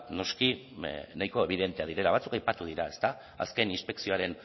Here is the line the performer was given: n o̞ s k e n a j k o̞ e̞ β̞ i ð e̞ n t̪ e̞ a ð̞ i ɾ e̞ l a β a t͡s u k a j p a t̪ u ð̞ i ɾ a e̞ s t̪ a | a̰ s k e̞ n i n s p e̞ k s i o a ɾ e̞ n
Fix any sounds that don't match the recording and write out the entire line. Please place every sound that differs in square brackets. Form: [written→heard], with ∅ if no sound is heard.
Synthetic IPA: n o̞ s k [e→i] n a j k o̞ e̞ β̞ i ð e̞ n t̪ e̞ a ð̞ i ɾ e̞ l a β a t͡s u k a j p a t̪ u ð̞ i ɾ a e̞ s t̪ a | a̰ s k e̞ n i n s p e̞ k s i o a ɾ e̞ n